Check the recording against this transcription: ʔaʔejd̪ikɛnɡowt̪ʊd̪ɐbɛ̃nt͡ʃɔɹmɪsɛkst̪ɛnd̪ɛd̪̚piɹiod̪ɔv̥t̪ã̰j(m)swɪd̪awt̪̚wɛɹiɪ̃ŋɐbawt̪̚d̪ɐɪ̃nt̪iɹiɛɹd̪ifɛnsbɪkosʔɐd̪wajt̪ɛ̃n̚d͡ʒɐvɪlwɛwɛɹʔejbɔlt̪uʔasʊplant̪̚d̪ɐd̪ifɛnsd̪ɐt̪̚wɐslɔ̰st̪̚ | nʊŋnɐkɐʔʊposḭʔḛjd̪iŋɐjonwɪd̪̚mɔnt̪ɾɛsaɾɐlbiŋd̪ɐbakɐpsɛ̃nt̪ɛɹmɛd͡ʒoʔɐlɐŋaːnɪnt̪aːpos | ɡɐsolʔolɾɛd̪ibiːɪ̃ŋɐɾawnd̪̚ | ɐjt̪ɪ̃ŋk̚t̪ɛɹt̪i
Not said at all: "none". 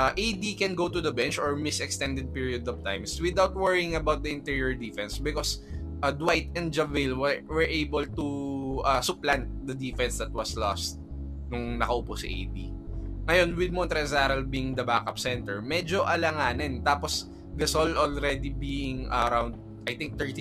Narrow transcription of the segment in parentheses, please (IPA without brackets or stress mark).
m